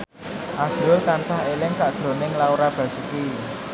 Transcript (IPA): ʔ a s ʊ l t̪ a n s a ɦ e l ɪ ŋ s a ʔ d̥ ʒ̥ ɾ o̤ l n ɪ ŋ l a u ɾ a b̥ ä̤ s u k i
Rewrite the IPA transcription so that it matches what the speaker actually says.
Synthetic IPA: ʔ a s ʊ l t̪ a n s a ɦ e l ɪ ŋ s a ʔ d̥ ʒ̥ ɾ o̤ n ɪ ŋ l a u ɾ a b̥ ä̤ s u k i